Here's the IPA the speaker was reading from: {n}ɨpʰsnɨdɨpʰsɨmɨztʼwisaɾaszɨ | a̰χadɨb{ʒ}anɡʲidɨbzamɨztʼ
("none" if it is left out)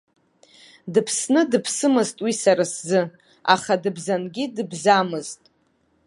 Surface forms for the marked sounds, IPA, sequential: d, z

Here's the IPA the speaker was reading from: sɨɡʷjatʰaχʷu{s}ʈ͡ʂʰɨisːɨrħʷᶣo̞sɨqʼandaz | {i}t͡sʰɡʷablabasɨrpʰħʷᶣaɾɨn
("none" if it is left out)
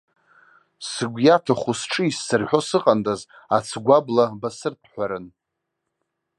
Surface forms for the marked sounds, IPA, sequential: s, a

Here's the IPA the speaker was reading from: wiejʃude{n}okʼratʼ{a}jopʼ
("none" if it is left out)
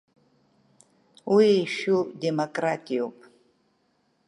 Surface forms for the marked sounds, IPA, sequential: m, i

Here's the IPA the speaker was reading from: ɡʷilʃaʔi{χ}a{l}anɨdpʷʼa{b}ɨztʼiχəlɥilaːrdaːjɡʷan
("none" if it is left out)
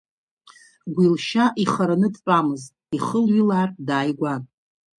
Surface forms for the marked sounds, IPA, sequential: χ, ɾ, m

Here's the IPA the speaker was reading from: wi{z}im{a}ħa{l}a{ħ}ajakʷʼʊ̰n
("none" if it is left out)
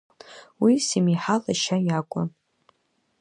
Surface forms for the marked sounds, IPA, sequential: s, i, l, ʃ

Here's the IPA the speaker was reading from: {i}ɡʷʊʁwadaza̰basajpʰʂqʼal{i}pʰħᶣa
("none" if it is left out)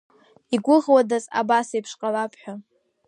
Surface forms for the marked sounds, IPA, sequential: i, a

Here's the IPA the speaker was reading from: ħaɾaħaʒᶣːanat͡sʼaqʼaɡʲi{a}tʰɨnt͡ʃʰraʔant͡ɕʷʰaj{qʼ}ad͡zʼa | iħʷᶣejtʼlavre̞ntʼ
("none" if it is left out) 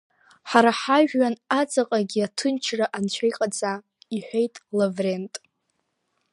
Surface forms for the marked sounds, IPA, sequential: a, qʼ

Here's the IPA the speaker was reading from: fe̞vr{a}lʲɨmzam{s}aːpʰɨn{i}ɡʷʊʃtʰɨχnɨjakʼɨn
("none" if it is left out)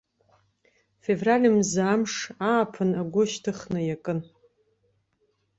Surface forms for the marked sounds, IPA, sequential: a, ʂ, a

